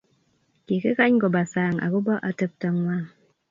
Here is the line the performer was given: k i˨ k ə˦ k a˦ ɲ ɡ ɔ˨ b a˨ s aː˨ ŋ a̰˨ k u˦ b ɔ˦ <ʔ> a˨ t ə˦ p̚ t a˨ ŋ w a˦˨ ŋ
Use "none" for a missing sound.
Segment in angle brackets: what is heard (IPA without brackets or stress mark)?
ʔ